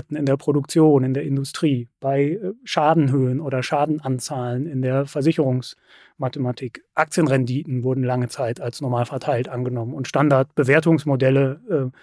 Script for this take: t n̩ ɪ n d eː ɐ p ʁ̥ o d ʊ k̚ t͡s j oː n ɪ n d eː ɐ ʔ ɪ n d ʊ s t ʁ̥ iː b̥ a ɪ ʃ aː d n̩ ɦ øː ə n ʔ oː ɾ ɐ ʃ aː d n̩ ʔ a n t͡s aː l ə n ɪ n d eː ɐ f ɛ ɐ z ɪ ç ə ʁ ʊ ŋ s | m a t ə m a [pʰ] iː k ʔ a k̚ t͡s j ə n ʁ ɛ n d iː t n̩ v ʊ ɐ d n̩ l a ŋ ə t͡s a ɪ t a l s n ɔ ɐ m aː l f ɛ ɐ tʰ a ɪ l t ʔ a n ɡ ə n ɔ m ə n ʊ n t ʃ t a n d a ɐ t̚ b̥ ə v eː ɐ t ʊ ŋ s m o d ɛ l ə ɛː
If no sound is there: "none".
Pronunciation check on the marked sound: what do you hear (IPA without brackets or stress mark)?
tʰ